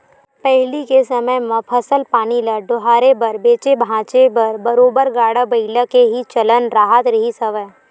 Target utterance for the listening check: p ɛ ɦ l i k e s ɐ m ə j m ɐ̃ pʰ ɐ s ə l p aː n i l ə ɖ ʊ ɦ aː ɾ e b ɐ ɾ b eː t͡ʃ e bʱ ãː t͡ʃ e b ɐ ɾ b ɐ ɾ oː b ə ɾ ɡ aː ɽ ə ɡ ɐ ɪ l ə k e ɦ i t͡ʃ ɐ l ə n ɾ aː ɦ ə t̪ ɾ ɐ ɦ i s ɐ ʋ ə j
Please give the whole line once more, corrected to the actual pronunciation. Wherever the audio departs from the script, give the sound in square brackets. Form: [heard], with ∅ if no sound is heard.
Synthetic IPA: p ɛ ɦ l i k e s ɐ m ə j m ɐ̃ pʰ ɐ s ə l p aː n i l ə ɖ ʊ ɦ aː ɾ e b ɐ ɾ b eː t͡ʃ e bʱ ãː t͡ʃ e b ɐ ɾ b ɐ ɾ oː b ə ɾ ɡ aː ɽ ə [b] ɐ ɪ l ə k e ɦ i t͡ʃ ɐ l ə n ɾ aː ɦ ə t̪ ɾ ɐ ɦ i s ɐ ʋ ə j